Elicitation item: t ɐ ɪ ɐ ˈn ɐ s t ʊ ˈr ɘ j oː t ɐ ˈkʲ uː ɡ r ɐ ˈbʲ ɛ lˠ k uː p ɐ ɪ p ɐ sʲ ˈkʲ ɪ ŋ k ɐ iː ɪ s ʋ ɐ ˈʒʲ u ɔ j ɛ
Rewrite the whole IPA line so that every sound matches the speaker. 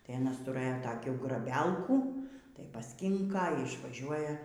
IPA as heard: t ɐ ɪ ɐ ˈn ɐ s t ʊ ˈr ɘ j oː t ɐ ˈkʲ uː ɡ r ɐ ˈbʲ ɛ lˠ k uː t ɐ ɪ p ɐ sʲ ˈkʲ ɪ ŋ k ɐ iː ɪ ʃ ʋ ɐ ˈʒʲ u ɔ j ɛ